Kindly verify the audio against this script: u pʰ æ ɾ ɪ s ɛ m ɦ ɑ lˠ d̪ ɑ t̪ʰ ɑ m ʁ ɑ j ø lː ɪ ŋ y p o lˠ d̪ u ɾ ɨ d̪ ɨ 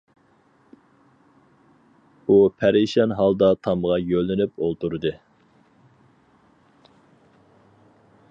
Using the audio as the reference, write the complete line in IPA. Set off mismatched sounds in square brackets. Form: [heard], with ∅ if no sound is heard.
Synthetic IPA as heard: u pʰ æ ɾ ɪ [ʃ] ɛ [n] ɦ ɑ lˠ d̪ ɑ t̪ʰ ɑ m ʁ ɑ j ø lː ɪ [n] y p o lˠ [t̪] u ɾ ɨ d̪ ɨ